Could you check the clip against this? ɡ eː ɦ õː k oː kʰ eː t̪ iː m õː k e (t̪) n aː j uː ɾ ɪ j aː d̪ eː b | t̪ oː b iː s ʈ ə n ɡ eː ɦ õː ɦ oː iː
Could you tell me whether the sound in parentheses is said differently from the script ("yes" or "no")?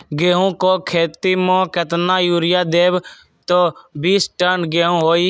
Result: no